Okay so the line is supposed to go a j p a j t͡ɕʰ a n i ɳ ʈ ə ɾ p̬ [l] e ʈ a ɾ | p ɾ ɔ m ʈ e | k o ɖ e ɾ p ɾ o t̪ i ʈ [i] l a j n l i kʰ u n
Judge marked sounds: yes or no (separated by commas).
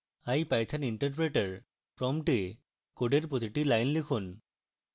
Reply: no, yes